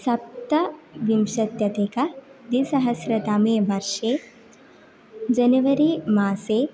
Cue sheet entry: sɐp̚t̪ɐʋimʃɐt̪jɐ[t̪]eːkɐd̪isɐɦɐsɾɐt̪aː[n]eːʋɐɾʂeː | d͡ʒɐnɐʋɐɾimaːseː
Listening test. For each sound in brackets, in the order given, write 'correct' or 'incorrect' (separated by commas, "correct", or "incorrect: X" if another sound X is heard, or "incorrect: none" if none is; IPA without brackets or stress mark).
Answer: correct, incorrect: m